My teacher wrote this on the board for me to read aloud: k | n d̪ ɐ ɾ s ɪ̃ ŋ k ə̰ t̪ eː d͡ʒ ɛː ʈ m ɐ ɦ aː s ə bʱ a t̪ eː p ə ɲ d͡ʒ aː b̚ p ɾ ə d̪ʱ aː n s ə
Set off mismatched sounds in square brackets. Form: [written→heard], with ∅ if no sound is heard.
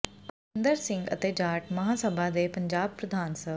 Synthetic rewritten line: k | n d̪ [ɐ→ə] ɾ s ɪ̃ ŋ [k→ɡ] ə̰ t̪ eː d͡ʒ [ɛː→aː] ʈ m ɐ ɦ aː s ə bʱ a [t̪→d̪] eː p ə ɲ d͡ʒ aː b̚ p ɾ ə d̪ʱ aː n s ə